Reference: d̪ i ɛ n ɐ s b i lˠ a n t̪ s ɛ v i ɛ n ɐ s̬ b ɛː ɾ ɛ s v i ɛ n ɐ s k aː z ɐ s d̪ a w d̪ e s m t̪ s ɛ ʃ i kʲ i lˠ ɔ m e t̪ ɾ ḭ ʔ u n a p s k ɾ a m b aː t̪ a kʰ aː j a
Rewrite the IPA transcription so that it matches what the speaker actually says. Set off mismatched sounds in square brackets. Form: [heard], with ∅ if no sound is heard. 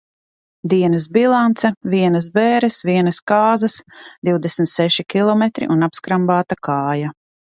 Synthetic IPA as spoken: d̪ i ɛ n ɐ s b i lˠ a n t̪ s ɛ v i ɛ n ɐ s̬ b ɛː ɾ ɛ s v i ɛ n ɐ s k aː z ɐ s d̪ [i] w d̪ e s m t̪ s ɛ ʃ i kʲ i lˠ ɔ m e t̪ ɾ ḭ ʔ u n a p s k ɾ a m b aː t̪ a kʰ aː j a